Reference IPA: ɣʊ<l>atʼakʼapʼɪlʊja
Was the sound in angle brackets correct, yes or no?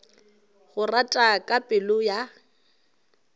no